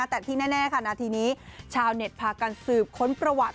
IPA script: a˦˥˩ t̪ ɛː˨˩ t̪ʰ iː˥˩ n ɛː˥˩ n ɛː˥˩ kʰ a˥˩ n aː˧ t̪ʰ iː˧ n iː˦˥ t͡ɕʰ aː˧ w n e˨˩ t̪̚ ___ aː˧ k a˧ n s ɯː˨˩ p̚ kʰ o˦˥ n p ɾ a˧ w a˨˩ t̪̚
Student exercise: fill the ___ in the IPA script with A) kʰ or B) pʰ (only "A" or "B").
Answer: B